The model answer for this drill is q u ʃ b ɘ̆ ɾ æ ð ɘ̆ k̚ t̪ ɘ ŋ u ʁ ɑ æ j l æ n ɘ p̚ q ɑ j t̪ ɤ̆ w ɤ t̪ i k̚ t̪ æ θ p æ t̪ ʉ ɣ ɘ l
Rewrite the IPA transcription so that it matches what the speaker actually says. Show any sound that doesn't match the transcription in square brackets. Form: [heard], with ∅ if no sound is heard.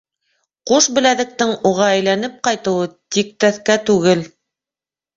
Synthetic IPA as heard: q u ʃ b ɘ̆ [l] æ ð ɘ̆ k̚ t̪ ɘ ŋ u ʁ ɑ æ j l æ n ɘ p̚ q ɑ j t̪ ɤ̆ w ɤ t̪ i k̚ t̪ æ θ [k] æ t̪ ʉ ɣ ɘ l